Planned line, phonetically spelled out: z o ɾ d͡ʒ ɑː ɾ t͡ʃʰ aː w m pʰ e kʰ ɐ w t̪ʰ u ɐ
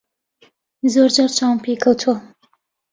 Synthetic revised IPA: z o ɾ d͡ʒ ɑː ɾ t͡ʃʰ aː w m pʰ e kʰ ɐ w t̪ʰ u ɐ